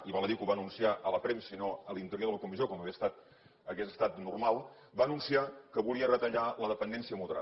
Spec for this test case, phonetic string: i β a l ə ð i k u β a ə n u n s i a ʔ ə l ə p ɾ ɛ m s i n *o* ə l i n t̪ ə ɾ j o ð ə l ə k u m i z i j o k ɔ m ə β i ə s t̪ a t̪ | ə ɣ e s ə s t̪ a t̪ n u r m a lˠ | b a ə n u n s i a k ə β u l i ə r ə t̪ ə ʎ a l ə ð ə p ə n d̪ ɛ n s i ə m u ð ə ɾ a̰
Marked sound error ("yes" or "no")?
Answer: no